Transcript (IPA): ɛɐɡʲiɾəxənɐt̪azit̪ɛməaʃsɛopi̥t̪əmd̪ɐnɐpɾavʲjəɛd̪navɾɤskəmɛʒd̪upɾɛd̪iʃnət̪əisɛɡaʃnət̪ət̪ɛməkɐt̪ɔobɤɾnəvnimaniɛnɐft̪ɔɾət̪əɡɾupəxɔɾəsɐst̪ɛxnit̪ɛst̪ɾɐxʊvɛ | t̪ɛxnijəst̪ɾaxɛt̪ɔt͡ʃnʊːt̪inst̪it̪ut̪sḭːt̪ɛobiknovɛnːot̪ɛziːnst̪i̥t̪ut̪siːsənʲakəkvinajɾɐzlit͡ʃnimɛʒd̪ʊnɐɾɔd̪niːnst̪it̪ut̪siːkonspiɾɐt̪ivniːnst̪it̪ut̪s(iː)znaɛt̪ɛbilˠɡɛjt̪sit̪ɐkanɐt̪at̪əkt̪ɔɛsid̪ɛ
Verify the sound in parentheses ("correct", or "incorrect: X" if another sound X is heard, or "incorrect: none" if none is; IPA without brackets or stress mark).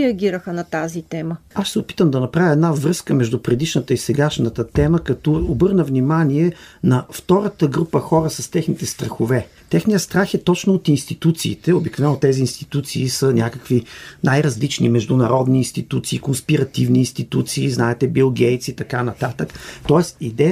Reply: correct